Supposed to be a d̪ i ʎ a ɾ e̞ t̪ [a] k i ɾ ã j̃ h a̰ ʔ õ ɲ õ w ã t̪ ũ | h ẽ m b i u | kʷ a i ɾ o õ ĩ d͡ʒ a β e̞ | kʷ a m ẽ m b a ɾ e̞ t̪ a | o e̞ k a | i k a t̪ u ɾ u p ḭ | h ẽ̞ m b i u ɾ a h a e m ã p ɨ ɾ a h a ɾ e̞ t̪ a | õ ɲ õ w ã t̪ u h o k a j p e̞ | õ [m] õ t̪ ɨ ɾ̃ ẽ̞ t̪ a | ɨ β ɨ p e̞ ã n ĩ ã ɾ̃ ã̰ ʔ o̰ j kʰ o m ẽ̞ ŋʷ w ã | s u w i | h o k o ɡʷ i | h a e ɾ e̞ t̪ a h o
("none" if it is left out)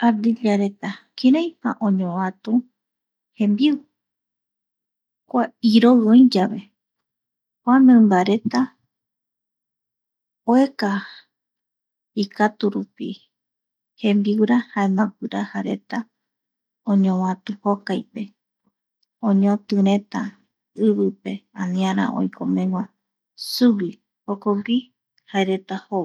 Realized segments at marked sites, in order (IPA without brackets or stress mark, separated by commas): a, ɲ